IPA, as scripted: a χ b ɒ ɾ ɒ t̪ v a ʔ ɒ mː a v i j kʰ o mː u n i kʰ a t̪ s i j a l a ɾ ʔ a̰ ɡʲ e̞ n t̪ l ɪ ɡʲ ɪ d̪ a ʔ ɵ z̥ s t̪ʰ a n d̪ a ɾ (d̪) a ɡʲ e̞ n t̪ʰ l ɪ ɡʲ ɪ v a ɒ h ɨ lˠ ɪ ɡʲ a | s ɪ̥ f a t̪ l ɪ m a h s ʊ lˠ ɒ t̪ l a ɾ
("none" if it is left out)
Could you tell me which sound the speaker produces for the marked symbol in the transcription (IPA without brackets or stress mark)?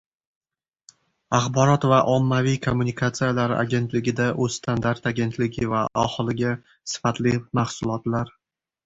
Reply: t̪